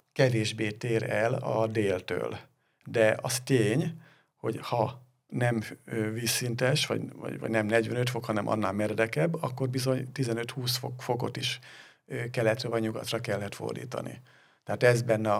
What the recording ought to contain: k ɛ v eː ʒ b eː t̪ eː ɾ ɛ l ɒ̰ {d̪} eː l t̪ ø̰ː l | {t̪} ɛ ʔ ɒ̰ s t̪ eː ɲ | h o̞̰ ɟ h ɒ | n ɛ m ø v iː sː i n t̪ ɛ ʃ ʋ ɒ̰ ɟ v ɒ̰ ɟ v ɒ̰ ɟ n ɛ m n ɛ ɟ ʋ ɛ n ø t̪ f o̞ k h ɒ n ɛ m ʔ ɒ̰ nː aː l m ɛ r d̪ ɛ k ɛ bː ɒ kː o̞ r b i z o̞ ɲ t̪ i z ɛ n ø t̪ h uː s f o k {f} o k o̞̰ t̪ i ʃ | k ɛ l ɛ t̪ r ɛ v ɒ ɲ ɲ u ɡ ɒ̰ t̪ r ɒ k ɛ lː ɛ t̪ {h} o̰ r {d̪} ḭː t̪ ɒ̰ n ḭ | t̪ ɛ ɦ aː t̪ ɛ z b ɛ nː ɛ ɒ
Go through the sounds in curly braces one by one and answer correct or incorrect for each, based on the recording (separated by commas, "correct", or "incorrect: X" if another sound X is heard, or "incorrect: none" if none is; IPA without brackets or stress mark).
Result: correct, incorrect: d̪, correct, incorrect: f, correct